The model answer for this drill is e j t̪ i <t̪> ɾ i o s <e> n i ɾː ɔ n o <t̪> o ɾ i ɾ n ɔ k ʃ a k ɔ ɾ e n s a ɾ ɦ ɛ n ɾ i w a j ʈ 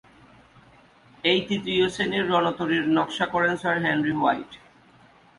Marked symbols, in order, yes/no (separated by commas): yes, yes, yes